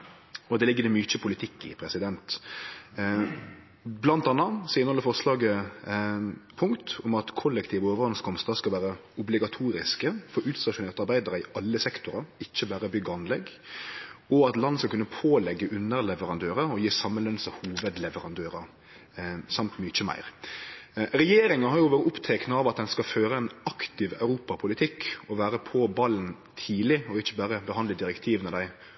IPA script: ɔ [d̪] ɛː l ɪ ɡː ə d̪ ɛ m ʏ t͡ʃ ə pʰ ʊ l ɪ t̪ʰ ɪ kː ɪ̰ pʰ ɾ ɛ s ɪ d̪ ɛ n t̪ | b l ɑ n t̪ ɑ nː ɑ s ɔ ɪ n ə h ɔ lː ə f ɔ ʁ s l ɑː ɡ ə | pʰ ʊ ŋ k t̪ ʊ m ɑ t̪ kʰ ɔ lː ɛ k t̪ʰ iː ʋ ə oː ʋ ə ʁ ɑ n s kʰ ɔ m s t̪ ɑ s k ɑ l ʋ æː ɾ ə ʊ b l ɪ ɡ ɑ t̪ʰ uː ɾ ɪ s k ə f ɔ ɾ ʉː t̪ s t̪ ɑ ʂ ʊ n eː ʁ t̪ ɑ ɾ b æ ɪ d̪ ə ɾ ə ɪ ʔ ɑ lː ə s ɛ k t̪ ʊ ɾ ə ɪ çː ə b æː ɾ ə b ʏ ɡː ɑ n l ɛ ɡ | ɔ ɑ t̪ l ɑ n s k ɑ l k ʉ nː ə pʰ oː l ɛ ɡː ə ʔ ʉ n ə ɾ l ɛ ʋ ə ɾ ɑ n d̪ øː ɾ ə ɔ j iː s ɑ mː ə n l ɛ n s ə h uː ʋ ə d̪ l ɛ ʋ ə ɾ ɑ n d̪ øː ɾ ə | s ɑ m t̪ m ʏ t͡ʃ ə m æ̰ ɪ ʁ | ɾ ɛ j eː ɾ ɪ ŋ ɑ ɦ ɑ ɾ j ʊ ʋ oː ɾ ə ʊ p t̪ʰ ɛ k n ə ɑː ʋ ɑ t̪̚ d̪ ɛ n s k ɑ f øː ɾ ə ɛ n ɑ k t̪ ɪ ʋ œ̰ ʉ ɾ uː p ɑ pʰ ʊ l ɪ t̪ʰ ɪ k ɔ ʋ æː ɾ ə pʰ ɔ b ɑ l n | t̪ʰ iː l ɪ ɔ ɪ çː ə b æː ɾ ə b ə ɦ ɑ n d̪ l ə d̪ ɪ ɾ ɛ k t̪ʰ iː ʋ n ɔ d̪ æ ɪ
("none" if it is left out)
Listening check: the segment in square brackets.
d̪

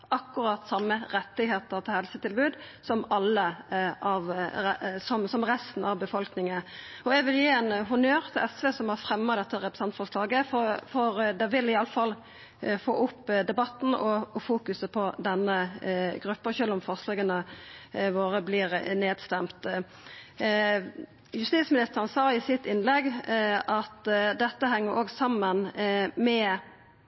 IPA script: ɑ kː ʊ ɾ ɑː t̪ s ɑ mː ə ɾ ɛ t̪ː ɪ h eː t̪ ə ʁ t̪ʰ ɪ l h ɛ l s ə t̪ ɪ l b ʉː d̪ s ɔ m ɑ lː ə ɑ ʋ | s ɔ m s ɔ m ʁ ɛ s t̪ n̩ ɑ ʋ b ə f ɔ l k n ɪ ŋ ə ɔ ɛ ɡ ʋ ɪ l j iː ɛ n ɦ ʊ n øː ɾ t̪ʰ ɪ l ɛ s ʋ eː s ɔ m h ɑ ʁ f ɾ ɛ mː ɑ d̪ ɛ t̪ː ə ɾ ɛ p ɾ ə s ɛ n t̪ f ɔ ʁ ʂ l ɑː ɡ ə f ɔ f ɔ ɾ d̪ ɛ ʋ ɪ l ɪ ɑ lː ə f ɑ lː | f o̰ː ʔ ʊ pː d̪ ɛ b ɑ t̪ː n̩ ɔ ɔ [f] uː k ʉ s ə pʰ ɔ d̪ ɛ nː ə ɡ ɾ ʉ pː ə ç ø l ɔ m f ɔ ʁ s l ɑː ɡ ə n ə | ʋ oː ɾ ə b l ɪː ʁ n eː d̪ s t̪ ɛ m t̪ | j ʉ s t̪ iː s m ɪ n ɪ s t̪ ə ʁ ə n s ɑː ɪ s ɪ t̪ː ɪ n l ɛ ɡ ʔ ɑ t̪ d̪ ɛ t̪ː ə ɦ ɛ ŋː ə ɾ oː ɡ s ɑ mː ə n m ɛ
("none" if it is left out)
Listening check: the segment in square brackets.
f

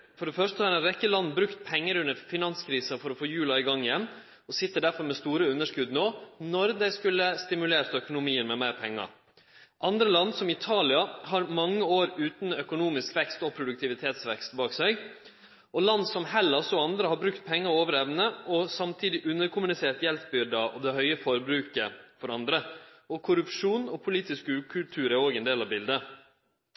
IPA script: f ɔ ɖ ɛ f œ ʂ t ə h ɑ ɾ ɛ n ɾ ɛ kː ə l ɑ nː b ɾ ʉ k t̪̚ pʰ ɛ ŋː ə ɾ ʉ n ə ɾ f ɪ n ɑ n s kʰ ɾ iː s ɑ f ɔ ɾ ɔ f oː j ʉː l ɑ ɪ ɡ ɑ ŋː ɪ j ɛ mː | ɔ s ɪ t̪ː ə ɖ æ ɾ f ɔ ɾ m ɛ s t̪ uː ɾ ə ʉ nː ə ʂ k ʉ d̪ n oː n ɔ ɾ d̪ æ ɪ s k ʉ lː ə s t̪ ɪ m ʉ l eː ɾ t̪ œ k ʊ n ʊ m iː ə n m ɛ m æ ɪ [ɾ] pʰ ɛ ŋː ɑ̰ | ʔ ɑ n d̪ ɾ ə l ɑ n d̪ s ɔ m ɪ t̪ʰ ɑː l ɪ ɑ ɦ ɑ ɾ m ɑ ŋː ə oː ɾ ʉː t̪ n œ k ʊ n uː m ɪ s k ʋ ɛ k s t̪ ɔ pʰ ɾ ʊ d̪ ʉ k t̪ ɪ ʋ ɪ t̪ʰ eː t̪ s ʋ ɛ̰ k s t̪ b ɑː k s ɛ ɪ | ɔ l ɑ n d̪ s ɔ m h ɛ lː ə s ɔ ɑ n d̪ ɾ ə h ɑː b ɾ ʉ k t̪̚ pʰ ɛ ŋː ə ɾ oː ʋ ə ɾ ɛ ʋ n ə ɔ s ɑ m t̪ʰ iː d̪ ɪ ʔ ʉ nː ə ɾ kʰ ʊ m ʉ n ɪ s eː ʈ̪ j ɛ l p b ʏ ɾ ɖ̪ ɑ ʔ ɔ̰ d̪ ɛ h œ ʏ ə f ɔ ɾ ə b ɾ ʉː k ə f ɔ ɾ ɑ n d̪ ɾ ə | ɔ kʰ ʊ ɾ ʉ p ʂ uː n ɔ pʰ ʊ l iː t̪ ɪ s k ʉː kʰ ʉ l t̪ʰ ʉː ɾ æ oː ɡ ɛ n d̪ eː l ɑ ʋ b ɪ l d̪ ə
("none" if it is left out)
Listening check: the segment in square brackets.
ɾ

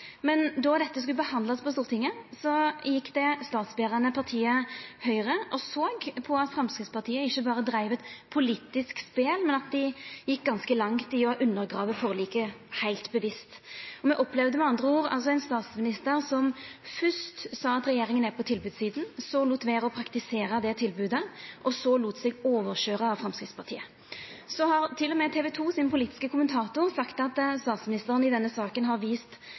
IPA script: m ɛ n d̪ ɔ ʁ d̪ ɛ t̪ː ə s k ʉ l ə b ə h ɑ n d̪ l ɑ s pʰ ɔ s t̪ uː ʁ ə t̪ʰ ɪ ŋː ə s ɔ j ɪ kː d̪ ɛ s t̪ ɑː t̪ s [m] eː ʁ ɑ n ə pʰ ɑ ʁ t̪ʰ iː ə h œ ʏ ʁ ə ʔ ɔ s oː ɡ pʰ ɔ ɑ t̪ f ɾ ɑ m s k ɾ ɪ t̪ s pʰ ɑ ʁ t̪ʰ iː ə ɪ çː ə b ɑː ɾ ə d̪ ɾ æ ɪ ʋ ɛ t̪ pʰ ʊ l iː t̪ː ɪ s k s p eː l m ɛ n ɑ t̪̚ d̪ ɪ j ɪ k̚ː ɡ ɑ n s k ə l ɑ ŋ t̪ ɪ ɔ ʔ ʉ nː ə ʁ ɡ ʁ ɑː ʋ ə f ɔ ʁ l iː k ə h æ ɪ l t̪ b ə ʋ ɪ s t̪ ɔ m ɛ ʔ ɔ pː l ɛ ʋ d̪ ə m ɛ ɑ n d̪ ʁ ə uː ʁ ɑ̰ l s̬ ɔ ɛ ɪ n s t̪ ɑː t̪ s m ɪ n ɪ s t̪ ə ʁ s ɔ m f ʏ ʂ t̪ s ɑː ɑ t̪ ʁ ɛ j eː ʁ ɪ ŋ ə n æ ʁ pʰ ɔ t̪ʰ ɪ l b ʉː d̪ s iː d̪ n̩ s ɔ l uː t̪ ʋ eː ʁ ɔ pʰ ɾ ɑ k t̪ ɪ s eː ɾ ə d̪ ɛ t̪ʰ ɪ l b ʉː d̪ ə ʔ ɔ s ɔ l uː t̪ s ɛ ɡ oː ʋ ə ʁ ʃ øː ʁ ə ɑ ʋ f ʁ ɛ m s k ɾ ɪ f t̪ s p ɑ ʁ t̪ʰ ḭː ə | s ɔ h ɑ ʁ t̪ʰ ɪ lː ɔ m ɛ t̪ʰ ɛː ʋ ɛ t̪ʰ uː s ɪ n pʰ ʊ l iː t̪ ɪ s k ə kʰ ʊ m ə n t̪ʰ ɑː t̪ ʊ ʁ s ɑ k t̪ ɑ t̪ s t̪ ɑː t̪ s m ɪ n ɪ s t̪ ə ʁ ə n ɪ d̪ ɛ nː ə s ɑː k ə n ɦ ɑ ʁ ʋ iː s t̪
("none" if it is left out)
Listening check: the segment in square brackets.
b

